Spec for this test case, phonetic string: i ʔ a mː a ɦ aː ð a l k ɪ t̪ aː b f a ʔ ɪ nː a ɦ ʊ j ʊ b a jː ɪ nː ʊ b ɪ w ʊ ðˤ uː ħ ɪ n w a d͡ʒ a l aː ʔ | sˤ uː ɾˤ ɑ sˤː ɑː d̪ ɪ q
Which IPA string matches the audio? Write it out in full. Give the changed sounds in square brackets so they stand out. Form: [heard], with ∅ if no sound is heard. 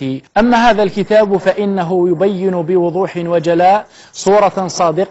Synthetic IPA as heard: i ʔ a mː a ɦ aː ð a l k ɪ t̪ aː b f a ʔ ɪ nː a ɦ ʊ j ʊ b a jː ɪ [n] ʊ b ɪ w ʊ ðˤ uː ħ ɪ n w a d͡ʒ a l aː ʔ | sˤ uː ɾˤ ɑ [sˤ] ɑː d̪ ɪ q